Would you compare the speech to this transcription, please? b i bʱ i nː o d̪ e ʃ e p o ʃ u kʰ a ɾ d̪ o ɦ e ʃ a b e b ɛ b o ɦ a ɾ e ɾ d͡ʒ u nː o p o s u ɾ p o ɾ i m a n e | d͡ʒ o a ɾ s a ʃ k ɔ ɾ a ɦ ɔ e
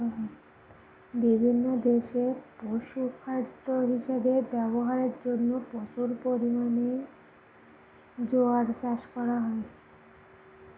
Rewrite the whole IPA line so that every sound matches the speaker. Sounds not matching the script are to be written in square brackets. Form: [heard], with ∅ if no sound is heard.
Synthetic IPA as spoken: b i bʱ i nː o d̪ e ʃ e p o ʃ u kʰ a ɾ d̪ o ɦ [i] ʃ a b e b ɛ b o ɦ a ɾ e ɾ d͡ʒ [o] nː o p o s u ɾ p o ɾ i m a n e | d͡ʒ o a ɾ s a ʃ k ɔ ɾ a ɦ ɔ e